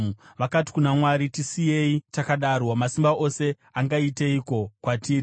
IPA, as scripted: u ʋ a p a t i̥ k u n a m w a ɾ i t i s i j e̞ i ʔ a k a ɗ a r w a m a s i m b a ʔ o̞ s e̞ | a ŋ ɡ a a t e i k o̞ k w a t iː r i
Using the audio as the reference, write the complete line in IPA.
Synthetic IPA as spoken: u ʋ a k a t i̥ k u n a m w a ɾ i t i s i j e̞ i t a k a ɗ a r w a m a s i m b a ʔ o̞ s e̞ | a ŋ ɡ a i t e i k o̞ k w a t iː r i